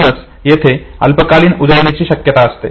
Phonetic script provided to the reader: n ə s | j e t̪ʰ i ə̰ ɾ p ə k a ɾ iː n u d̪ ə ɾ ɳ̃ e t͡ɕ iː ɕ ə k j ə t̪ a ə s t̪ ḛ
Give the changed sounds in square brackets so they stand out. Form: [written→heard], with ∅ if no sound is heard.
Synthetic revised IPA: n ə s | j e t̪ʰ [i→e] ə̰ [ɾ→l] p ə k a [ɾ→l] iː n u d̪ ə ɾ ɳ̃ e t͡ɕ iː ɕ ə k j ə t̪ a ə s t̪ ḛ